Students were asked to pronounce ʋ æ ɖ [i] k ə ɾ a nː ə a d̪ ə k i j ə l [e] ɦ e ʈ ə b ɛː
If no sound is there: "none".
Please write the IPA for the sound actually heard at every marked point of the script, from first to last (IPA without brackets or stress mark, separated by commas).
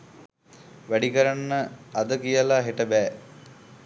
i, a